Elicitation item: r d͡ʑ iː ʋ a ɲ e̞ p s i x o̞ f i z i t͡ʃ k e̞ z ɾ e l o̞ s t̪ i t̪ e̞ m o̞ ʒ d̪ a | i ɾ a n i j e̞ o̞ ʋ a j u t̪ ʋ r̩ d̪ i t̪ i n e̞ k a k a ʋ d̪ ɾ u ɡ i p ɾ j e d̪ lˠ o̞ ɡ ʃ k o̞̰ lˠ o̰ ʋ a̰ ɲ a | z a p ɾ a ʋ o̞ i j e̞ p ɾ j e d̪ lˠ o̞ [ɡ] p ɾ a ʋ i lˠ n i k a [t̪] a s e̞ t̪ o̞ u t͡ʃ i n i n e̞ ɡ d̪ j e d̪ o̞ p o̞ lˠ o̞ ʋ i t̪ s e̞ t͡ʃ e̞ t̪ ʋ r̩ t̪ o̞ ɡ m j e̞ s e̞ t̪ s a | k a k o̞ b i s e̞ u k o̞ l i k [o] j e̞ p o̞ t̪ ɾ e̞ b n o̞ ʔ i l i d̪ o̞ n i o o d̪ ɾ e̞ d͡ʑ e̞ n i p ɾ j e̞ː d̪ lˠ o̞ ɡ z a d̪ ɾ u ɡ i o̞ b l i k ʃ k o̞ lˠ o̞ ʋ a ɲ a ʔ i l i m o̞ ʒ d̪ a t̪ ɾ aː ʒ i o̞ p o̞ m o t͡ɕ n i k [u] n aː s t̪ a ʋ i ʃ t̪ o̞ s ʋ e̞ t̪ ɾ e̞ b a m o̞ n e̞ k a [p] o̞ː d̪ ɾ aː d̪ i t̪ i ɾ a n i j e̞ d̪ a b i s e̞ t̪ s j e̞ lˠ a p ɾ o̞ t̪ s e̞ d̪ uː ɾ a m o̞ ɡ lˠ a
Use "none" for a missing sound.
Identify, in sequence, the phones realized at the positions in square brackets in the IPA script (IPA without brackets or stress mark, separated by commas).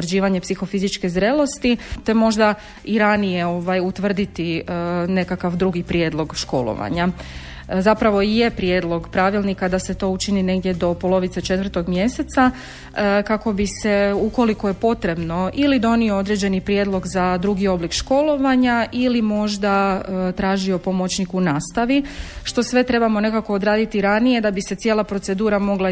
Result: ɡ, d̪, o, u, k